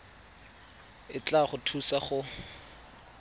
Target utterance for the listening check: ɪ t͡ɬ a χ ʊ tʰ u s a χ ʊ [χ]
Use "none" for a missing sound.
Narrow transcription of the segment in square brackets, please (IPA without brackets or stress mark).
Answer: none